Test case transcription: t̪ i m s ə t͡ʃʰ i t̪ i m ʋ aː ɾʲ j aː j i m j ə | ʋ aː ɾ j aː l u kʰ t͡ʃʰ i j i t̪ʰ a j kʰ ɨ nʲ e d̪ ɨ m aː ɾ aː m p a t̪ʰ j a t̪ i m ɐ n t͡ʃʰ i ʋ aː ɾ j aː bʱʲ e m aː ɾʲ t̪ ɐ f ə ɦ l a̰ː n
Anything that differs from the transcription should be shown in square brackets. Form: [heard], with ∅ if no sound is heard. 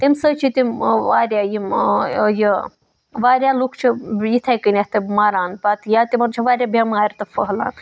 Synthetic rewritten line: t̪ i m s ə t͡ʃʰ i t̪ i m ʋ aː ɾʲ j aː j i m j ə | ʋ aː ɾ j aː l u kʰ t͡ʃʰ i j i t̪ʰ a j [k] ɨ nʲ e [t̪] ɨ m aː ɾ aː [n] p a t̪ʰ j a t̪ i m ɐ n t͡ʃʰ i ʋ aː ɾ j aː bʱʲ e m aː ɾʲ t̪ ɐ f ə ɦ l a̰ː n